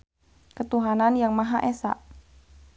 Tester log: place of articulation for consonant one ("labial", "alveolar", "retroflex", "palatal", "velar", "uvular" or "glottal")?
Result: velar